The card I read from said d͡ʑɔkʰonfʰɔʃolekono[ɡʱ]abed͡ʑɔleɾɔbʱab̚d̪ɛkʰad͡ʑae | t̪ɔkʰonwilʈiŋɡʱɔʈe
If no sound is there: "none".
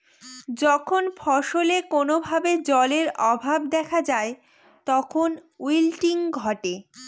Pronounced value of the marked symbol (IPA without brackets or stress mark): bʱ